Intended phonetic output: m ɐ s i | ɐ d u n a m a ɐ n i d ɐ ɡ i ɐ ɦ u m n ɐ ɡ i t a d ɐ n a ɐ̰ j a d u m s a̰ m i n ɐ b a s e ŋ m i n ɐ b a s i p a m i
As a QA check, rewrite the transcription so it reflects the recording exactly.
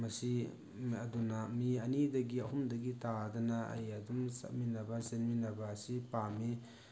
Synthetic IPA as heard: m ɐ s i | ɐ d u n a m i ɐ n i d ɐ ɡ i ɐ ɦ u m d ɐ ɡ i t a d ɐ n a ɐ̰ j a d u m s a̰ m i n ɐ b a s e n m i n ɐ b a s i p a m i